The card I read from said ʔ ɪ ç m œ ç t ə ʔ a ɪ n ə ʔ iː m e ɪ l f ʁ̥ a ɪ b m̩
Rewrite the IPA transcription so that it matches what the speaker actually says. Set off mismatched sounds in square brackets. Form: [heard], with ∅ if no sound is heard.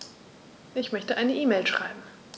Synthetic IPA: ʔ ɪ ç m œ ç t ə ʔ a ɪ n ə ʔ iː m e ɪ l [ʃ] ʁ̥ a ɪ b m̩